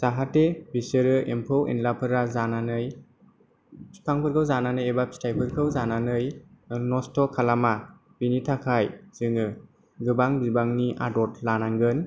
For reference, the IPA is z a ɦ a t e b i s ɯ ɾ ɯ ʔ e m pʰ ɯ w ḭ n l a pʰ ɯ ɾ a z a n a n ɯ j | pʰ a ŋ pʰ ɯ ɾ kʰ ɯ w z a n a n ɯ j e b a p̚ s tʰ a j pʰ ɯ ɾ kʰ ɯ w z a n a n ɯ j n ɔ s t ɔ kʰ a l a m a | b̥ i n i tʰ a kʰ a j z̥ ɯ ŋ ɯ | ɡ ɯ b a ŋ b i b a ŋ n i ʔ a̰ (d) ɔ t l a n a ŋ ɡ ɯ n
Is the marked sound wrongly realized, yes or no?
no